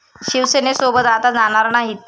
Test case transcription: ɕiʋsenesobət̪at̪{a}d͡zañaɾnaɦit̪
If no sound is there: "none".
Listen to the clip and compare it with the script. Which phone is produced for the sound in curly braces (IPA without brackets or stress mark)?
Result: a